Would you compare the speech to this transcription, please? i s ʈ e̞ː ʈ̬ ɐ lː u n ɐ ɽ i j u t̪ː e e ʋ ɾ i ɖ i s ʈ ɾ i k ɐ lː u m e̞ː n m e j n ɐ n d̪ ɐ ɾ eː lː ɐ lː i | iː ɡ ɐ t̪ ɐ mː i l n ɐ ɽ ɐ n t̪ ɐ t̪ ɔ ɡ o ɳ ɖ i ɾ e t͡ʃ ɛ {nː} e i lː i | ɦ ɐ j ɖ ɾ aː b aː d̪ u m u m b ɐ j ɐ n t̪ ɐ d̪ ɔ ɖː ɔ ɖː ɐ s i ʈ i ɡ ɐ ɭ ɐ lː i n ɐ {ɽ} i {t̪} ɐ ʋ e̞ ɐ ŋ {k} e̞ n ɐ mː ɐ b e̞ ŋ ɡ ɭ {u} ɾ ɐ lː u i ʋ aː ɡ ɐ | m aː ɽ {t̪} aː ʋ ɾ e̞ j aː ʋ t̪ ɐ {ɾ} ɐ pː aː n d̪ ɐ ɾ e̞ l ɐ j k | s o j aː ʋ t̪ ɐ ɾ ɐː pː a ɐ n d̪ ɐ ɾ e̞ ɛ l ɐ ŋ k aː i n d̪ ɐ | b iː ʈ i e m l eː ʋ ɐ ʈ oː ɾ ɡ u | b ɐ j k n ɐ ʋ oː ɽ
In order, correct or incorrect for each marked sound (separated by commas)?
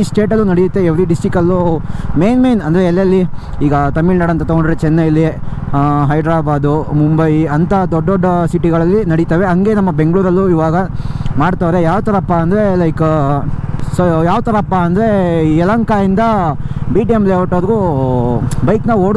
correct, correct, correct, incorrect, incorrect, correct, correct